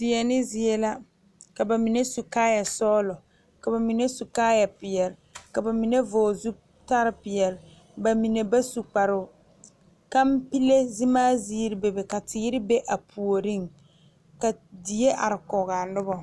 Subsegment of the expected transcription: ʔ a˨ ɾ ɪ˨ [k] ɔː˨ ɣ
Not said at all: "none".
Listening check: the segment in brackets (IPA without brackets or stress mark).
k